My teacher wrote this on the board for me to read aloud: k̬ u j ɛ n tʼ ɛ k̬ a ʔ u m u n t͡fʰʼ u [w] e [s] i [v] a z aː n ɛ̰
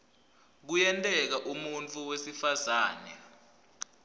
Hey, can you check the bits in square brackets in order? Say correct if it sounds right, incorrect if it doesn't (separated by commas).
correct, correct, incorrect